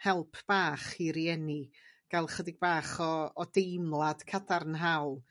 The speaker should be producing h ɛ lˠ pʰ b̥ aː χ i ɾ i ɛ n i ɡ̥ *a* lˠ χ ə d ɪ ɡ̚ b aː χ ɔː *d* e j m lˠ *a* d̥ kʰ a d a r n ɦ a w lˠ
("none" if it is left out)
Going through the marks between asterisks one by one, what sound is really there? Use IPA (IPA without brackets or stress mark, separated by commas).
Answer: a, d, a